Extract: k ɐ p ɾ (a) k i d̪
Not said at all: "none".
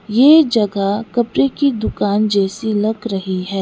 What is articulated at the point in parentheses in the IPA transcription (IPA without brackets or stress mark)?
e